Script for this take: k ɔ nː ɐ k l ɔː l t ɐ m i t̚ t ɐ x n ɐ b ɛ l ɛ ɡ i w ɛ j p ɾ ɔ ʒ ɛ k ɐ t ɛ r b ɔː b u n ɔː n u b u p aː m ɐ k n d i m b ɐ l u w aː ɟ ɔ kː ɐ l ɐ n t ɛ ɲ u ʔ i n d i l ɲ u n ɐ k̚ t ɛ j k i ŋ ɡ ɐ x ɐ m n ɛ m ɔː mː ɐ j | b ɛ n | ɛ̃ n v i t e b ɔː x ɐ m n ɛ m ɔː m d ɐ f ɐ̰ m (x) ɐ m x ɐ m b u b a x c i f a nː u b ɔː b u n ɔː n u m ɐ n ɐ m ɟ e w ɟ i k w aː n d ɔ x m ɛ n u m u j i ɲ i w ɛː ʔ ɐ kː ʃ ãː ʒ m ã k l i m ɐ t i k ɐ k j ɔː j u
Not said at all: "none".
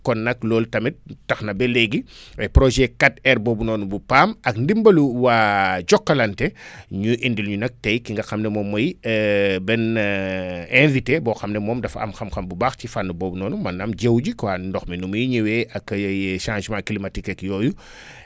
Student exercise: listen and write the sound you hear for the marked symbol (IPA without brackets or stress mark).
x